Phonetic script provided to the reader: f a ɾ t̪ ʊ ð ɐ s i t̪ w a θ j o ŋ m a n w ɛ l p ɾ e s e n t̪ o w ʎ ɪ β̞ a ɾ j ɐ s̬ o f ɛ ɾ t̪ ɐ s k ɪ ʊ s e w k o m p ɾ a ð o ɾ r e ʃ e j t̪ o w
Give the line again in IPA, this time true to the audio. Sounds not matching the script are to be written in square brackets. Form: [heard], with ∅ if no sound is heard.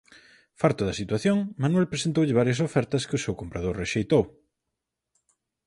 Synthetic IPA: f a ɾ t̪ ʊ ð ɐ s i t̪ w a θ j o ŋ m a n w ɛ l p ɾ e s e n t̪ o w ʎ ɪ β̞ a ɾ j ɐ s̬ o f ɛ ɾ t̪ ɐ s k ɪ ʊ s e w k o m p ɾ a ð o ɾ r e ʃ e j t̪ o w